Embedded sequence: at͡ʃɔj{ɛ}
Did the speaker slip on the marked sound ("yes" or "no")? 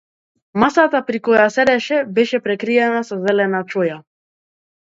yes